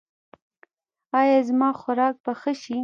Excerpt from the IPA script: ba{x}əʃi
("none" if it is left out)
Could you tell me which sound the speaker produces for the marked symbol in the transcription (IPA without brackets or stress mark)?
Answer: x